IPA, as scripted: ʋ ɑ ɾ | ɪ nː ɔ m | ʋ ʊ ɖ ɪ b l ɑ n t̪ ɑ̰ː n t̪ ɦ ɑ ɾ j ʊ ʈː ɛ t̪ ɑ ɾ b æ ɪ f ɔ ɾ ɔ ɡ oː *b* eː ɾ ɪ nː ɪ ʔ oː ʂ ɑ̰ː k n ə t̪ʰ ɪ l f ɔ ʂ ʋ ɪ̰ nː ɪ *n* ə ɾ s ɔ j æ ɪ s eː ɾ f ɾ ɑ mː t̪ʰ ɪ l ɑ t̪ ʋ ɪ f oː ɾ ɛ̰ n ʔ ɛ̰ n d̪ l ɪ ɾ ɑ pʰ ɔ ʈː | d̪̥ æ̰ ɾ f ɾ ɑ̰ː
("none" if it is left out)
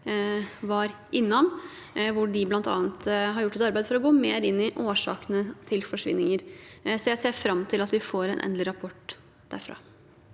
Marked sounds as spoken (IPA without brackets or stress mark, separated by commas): m, ŋ